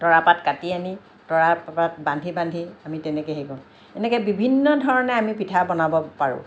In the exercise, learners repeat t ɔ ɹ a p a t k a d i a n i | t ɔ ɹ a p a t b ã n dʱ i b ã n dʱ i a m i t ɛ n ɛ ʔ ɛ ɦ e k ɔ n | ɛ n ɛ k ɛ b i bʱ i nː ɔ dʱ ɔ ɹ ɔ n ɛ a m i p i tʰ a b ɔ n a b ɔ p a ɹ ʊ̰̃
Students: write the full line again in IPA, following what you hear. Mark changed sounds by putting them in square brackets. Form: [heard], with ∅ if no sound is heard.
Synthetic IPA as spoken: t ɔ ɹ a p a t k a [t] i a n i | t ɔ ɹ a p a t b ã n dʱ i b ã n dʱ i a m i t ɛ n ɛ [k] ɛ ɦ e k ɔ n | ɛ n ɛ k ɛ b i bʱ i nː ɔ dʱ ɔ ɹ ɔ n ɛ a m i p i tʰ a b ɔ n a b ɔ p a ɹ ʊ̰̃